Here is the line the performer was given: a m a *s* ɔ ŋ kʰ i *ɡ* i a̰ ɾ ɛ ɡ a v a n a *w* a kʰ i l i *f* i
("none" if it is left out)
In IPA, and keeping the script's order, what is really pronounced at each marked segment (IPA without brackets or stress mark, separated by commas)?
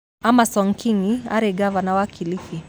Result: s, ŋ, w, f